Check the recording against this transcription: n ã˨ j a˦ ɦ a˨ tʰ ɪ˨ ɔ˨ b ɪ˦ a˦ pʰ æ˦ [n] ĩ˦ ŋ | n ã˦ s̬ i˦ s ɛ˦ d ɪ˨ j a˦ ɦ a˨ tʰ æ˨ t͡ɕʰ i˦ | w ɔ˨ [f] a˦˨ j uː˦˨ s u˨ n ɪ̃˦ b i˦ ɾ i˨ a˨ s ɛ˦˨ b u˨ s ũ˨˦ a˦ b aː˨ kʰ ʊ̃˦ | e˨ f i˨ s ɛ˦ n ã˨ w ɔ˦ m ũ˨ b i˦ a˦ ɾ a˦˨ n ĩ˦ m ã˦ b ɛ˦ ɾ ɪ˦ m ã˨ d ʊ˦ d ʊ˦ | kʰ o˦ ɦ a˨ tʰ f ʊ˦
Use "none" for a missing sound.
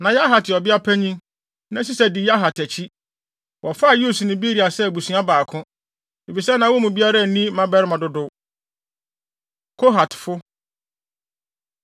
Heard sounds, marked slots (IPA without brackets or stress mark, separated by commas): ɲ, f